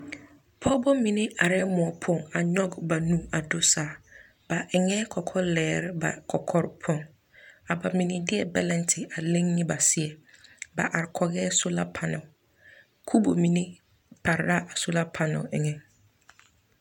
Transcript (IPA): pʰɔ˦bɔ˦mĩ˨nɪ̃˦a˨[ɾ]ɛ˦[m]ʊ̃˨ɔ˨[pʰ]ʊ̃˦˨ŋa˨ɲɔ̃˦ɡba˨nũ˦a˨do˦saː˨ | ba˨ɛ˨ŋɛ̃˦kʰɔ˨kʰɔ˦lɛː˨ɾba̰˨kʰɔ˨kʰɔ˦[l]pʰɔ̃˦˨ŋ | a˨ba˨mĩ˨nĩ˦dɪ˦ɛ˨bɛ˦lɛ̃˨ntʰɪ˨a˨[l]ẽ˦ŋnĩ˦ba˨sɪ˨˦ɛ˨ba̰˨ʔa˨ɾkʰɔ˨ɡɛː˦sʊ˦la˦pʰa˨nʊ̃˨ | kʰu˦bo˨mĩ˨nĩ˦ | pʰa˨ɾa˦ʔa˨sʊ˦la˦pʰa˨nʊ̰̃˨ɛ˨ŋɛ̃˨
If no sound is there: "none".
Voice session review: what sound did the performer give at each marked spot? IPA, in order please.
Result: ɾ, m, pʰ, ɾ, l

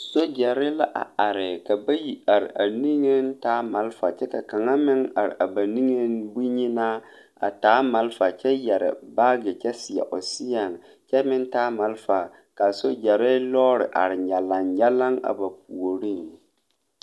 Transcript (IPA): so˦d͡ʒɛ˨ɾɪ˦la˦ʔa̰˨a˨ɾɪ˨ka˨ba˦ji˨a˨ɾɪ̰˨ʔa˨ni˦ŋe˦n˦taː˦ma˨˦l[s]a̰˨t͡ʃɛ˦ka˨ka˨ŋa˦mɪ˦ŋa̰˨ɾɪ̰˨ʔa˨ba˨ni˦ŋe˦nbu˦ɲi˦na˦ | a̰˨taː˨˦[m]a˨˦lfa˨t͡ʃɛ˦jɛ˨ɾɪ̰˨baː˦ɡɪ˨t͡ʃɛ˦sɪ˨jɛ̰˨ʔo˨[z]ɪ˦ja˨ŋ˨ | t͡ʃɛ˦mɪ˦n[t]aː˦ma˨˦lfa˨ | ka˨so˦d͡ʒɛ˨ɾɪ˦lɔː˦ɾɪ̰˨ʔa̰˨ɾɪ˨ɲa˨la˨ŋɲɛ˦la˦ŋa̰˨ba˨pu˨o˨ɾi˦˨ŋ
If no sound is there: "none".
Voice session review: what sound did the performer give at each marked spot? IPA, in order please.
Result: f, m, s, t

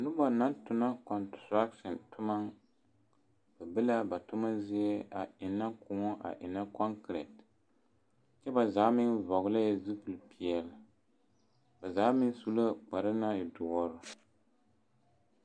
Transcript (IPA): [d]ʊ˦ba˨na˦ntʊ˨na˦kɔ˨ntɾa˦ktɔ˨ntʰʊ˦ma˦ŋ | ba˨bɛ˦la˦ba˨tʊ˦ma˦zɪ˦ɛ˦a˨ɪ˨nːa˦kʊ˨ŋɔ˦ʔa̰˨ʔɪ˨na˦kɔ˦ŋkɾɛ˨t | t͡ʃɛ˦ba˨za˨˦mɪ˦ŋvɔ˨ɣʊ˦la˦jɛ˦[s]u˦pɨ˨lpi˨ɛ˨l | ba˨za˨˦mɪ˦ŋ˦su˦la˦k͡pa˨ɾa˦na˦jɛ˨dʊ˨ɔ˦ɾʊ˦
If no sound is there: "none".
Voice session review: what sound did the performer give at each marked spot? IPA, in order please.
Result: n, z

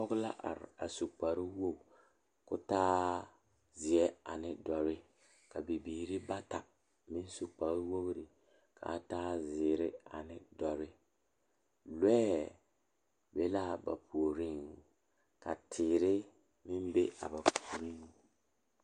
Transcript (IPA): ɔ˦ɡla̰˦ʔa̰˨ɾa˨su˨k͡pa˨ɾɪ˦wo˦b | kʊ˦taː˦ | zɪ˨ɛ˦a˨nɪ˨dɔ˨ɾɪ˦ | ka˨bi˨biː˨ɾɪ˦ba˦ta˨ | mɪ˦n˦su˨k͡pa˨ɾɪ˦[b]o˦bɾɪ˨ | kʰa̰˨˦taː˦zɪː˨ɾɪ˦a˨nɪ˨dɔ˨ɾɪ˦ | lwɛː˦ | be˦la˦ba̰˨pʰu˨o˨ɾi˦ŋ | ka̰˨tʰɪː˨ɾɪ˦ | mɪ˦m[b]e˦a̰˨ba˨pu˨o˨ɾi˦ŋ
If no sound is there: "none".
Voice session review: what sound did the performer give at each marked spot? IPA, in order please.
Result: w, b

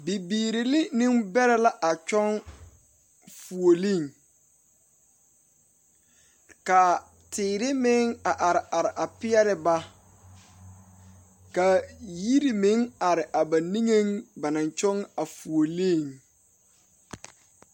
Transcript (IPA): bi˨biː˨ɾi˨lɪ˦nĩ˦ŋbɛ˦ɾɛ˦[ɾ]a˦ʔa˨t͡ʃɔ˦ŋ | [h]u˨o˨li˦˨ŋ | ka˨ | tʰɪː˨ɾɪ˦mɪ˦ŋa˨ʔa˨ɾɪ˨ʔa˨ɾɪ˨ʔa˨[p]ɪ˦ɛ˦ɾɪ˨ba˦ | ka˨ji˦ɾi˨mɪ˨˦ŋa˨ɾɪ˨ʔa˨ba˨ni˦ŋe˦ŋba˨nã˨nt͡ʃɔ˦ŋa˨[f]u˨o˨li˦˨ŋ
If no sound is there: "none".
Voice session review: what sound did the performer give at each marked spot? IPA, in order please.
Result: l, f, p, f

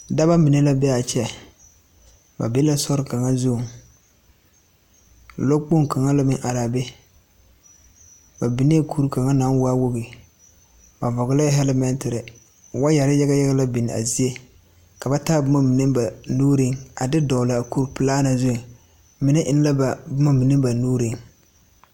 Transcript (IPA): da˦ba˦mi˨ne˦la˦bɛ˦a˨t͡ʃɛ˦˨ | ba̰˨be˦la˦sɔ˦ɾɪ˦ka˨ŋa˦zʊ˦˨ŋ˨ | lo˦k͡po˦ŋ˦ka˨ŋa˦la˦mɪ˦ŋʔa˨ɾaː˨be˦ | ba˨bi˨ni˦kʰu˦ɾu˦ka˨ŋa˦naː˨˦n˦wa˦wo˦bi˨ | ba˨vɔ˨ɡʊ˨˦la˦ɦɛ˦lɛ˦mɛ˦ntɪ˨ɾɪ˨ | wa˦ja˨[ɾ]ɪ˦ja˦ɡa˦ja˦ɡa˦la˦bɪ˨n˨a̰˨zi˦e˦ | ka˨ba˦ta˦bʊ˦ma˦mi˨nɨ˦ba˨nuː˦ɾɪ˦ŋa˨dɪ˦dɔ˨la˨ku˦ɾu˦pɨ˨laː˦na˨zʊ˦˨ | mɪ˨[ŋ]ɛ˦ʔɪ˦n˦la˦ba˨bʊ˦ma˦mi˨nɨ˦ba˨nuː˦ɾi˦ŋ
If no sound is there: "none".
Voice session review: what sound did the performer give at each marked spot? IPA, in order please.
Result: ɾ, n

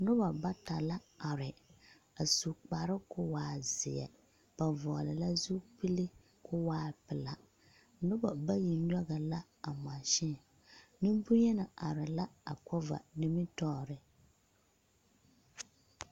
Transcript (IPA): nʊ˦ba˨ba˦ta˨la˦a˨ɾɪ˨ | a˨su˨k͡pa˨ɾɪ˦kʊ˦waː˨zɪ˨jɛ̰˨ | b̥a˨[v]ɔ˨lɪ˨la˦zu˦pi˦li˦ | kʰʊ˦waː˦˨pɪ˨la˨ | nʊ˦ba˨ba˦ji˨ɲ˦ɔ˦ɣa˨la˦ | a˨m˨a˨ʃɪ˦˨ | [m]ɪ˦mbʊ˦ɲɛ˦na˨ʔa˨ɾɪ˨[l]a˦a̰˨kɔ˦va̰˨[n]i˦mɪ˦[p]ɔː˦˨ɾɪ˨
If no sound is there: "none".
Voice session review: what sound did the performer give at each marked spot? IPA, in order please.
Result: v, n, l, n, t

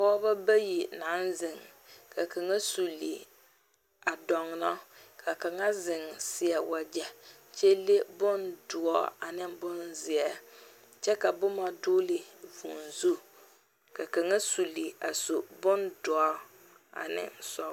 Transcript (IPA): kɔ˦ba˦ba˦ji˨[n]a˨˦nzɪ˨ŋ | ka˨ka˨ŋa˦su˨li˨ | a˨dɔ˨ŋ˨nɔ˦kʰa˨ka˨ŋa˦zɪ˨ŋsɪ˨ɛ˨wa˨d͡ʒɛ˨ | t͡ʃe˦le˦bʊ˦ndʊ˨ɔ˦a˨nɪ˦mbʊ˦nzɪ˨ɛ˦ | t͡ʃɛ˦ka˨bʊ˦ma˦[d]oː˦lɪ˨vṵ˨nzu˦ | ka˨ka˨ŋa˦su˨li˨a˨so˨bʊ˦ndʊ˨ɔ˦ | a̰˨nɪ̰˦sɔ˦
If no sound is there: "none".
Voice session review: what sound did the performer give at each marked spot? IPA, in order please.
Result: n, d

